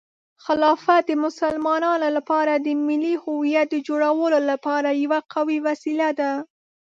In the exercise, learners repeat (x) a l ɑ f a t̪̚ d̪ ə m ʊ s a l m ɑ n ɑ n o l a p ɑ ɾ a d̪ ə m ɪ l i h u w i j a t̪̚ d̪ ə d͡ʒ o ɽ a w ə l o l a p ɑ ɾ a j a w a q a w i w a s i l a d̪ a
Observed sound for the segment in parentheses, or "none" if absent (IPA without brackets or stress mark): x